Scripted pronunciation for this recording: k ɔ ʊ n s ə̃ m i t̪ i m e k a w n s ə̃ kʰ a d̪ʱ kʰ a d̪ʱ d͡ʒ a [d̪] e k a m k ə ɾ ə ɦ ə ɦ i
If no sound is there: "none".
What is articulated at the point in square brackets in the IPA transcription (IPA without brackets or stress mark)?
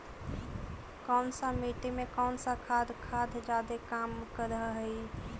d̪